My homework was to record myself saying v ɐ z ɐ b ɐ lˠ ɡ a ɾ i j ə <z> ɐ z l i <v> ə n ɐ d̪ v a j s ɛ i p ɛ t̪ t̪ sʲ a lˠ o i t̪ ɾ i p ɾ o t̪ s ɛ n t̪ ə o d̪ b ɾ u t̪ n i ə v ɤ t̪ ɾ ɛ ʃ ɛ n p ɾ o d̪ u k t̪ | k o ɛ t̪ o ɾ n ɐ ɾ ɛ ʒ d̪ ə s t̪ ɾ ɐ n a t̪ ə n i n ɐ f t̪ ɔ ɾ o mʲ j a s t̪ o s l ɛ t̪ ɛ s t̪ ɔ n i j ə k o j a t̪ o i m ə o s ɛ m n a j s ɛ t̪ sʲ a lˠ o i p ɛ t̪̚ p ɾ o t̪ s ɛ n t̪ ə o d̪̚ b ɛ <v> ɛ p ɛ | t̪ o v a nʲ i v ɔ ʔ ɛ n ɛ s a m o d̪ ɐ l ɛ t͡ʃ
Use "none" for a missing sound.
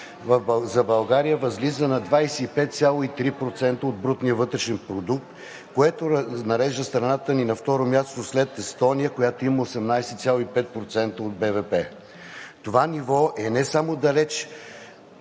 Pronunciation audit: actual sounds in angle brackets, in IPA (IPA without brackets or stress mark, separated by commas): v, z, v